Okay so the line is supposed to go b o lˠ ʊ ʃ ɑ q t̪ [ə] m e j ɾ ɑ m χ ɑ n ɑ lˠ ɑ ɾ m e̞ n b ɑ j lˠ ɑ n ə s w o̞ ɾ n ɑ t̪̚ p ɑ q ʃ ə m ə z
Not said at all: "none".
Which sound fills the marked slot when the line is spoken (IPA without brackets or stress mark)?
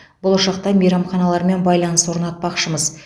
ɑ